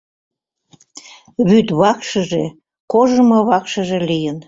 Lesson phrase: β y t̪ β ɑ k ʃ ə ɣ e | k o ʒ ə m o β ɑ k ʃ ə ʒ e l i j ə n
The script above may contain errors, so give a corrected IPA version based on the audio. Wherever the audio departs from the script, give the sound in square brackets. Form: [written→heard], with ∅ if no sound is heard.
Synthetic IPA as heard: β y t̪ β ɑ k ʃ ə [ɣ→ʒ] e | k o ʒ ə m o β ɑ k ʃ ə ʒ e l i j ə n